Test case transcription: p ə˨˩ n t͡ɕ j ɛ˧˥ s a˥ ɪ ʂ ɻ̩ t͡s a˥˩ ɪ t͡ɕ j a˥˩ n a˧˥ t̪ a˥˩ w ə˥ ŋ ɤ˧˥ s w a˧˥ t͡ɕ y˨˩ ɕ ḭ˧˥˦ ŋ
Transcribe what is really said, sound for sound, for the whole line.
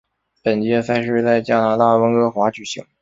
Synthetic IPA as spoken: p ə˨˩ n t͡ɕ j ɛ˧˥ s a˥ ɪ ʂ ɻ̩ t͡s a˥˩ ɪ t͡ɕ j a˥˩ n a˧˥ t̪ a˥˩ w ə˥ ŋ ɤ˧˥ x w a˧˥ t͡ɕ y˨˩ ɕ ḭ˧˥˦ ŋ

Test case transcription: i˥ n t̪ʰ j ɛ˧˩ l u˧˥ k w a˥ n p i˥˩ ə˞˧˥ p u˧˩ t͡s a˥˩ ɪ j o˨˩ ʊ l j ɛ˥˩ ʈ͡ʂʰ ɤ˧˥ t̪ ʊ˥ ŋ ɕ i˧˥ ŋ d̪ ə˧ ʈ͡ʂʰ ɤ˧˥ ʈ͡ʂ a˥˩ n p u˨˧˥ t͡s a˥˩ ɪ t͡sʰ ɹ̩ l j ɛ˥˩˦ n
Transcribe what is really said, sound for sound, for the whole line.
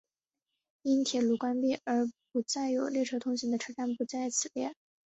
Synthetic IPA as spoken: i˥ n t̪ʰ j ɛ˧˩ l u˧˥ k w a˥ n p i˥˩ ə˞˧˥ p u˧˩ t͡s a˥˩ ɪ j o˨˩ ʊ l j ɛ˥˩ ʈ͡ʂʰ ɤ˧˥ t̪ʰ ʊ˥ ŋ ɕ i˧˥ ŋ d̪ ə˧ ʈ͡ʂʰ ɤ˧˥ ʈ͡ʂ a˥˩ n p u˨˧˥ t͡s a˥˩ ɪ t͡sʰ ɹ̩ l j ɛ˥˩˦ n

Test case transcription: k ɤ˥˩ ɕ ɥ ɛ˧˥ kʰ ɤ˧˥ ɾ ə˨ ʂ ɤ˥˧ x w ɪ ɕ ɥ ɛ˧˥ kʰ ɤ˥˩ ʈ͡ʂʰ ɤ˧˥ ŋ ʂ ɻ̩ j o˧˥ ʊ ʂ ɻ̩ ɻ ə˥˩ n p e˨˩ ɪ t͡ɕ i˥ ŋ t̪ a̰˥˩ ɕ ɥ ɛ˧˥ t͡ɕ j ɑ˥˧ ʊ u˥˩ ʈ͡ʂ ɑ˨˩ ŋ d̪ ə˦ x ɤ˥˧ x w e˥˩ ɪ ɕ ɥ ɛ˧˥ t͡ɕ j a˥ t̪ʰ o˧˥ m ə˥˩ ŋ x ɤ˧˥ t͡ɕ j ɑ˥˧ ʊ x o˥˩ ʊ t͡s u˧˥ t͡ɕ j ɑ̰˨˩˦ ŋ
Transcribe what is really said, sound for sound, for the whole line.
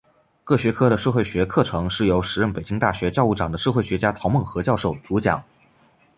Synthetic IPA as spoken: k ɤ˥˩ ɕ ɥ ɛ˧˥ kʰ ɤ˥ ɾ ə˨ ʂ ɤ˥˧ x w ɪ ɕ ɥ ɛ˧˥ kʰ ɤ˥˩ ʈ͡ʂʰ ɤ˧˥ ŋ ʂ ɻ̩ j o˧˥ ʊ ʂ ɻ̩ ɻ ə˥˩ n p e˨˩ ɪ t͡ɕ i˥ ŋ t̪ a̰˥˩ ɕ ɥ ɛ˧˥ t͡ɕ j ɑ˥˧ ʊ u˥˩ ʈ͡ʂ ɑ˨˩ ŋ d̪ ə˦ ʂ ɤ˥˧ x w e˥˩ ɪ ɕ ɥ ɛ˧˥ t͡ɕ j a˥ t̪ʰ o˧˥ m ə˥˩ ŋ x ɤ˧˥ t͡ɕ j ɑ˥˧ ʊ ʂ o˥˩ ʊ t͡s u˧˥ t͡ɕ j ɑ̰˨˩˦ ŋ

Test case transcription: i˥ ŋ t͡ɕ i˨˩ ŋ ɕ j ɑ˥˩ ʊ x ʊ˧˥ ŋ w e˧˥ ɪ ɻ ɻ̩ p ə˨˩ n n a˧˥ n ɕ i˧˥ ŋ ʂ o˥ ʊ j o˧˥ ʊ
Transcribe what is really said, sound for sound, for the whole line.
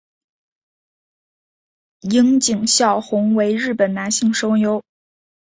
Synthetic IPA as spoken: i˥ ŋ t͡ɕ i˨˩ ŋ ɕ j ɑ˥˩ ʊ x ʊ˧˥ ŋ w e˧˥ ɪ ɻ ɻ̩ p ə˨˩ n n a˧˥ n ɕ i˥˩ ŋ ʂ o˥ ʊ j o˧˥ ʊ

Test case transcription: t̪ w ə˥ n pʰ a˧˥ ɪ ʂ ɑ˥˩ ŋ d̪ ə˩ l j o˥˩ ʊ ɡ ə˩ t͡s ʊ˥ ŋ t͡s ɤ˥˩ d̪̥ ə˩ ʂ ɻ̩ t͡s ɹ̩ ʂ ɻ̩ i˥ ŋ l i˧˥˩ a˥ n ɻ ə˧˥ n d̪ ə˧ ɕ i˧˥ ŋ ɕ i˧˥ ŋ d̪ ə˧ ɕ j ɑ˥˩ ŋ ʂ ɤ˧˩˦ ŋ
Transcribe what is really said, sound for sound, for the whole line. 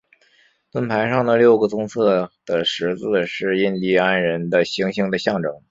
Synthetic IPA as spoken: t̪ w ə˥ n pʰ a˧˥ ɪ ʂ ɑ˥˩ ŋ d̪ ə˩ l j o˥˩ ʊ ɡ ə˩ t͡s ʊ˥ ŋ t͡sʰ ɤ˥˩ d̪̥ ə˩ ʂ ɻ̩ t͡s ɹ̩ ʂ ɻ̩ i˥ n l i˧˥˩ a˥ n ɻ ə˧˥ n d̪ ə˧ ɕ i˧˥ ŋ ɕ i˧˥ ŋ d̪ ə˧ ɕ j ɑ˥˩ ŋ ʈ͡ʂ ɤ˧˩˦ ŋ

